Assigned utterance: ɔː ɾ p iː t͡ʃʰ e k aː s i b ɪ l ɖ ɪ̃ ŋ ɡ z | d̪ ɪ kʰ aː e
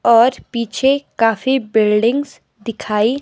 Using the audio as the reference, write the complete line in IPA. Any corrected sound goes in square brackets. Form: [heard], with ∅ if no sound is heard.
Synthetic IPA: ɔː ɾ p iː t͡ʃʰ e k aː [f] i b ɪ l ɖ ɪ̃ ŋ ɡ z | d̪ ɪ kʰ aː [i]